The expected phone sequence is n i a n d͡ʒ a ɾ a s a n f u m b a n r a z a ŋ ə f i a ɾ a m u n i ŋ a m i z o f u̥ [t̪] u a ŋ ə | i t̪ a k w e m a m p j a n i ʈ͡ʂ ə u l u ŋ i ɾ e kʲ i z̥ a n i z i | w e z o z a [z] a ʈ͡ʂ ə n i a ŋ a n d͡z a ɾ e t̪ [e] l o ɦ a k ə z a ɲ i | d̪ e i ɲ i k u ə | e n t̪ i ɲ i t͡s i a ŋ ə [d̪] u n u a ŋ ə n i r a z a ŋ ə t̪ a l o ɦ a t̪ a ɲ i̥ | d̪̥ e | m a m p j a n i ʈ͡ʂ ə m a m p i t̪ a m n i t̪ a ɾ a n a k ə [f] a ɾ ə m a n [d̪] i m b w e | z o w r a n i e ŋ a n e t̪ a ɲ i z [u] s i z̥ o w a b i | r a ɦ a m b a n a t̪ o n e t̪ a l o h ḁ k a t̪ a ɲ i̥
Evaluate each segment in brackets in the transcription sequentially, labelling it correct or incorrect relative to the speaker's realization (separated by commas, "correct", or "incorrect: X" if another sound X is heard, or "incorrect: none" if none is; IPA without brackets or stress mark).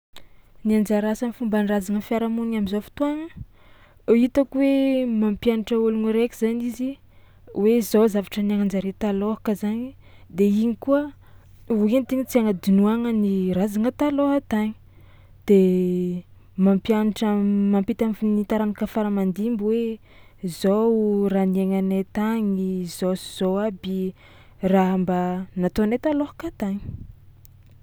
correct, incorrect: v, incorrect: a, correct, correct, correct, incorrect: o